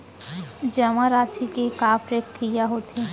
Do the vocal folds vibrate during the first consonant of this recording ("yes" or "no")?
yes